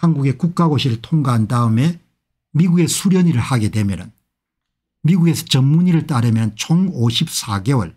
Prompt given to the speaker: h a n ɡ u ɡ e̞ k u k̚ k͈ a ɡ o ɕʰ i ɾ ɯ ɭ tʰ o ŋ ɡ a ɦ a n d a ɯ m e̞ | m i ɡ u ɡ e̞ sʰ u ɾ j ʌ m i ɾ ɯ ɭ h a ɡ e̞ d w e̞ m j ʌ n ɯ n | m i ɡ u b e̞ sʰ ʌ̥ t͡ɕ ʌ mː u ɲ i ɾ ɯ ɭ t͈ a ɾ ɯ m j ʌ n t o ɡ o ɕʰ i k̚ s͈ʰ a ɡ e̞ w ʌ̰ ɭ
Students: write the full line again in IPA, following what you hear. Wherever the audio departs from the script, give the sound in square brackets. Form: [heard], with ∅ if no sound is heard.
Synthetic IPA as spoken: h a n ɡ u ɡ e̞ k u k̚ k͈ a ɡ o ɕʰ i ɾ ɯ ɭ tʰ o ŋ ɡ a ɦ a n d a ɯ m e̞ | m i ɡ u ɡ e̞ sʰ u ɾ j ʌ [ɲ] i ɾ ɯ ɭ h a ɡ e̞ d w e̞ m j ʌ n ɯ n | m i ɡ u [ɡ] e̞ sʰ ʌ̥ t͡ɕ ʌ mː u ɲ i ɾ ɯ ɭ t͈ a ɾ ɯ m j ʌ n [t͡ɕʰ] o [ŋ] o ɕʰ i [p̚] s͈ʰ a ɡ e̞ w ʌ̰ ɭ